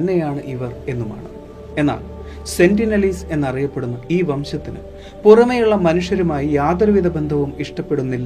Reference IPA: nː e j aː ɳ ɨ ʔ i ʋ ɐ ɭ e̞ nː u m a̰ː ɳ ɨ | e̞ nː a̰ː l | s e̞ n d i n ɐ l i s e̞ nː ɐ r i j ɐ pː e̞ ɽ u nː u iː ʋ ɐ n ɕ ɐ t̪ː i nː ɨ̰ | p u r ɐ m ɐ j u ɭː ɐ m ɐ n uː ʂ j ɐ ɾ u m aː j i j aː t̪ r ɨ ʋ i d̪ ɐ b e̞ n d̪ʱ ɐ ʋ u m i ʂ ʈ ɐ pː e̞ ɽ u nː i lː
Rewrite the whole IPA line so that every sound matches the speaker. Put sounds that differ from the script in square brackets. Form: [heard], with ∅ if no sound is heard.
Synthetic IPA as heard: nː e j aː ɳ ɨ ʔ i ʋ ɐ [r] e̞ nː u m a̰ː ɳ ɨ | e̞ nː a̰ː l | s e̞ n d i n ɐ l i s e̞ nː ɐ r i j ɐ pː e̞ ɽ u nː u iː ʋ ɐ [m] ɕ ɐ t̪ː i [n] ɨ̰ | p u r ɐ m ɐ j u ɭː ɐ m ɐ n [u] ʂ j ɐ ɾ u m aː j i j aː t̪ r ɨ ʋ i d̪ ɐ b e̞ n d̪ʱ ɐ ʋ u m i ʂ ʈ ɐ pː e̞ ɽ u nː i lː